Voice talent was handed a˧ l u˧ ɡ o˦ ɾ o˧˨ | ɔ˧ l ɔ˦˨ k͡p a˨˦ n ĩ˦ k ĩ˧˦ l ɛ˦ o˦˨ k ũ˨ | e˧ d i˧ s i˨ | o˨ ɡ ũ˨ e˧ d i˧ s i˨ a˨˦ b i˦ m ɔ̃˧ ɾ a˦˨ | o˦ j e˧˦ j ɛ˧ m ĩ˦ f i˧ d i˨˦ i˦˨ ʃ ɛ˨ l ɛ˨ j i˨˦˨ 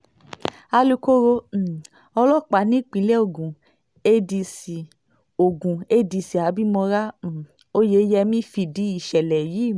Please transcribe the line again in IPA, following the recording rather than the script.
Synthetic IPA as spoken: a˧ l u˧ k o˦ ɾ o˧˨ | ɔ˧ l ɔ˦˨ k͡p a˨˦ n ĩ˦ k͡p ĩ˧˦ l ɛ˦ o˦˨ ɡ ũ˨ | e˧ d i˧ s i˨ | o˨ ɡ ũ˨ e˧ d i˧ s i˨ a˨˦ b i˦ m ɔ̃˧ ɾ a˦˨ | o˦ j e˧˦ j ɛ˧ m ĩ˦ f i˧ d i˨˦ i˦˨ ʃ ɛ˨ l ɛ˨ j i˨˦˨